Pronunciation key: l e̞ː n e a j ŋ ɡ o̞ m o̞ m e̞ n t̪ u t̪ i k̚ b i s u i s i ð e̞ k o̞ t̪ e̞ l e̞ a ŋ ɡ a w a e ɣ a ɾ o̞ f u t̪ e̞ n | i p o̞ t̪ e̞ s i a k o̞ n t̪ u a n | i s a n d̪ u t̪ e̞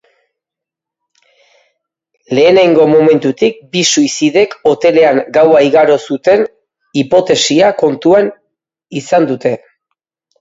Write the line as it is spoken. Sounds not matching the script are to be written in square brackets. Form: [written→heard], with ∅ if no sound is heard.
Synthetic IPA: l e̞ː n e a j ŋ ɡ o̞ m o̞ m e̞ n t̪ u t̪ i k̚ b i s u i s i ð e̞ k o̞ t̪ e̞ l e̞ a ŋ ɡ a w a [e→i] ɣ a ɾ o̞ [f→s] u t̪ e̞ n | i p o̞ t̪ e̞ s i a k o̞ n t̪ u a n | i s a n d̪ u t̪ e̞